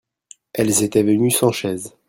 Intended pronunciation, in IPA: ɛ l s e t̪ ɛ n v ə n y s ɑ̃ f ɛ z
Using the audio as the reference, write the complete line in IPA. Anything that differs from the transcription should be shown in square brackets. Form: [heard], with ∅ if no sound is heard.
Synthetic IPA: ɛ l [z] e t̪ ɛ [∅] v ə n y s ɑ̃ [ʃ] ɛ z